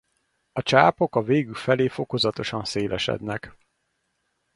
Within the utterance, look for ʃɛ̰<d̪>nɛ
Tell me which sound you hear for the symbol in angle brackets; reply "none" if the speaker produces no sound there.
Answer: d̪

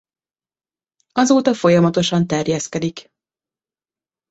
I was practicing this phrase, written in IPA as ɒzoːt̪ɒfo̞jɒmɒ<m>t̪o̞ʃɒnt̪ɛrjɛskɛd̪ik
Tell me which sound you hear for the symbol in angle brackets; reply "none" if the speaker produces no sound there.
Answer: none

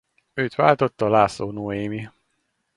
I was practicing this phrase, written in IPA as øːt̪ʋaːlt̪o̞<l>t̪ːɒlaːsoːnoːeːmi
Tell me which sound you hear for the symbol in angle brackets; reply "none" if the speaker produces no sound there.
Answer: none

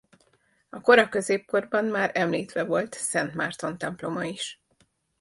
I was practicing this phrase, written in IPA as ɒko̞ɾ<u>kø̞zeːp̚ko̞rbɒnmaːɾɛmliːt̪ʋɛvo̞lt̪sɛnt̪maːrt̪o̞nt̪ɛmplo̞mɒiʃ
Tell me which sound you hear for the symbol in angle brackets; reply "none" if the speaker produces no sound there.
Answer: ɒ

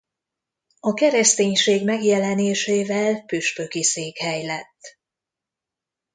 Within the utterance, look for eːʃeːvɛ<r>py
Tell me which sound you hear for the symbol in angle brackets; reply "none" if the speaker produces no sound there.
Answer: l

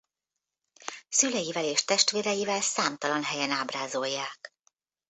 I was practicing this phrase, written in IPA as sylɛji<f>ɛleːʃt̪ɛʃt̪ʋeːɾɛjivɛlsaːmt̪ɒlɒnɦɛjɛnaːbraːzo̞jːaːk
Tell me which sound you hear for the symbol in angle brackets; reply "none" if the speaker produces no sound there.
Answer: v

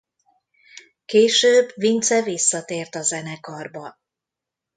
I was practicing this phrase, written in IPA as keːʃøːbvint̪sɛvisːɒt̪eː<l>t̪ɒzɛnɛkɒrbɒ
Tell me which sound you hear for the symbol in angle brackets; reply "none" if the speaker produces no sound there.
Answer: r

